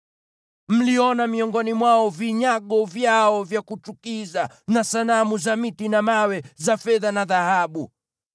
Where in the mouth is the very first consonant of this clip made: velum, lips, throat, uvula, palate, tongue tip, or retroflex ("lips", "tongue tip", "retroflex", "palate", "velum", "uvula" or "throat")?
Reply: lips